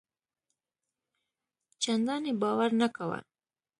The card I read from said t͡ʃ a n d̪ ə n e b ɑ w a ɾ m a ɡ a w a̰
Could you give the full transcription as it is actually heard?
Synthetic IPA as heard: t͡ʃ a n d̪ ɑ n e b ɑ w a ɾ n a k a w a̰